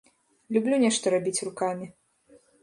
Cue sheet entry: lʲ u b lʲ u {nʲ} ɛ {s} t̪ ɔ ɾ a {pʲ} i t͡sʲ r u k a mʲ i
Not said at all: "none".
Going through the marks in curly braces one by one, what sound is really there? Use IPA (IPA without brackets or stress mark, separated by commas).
nʲ, ʂ, bʲ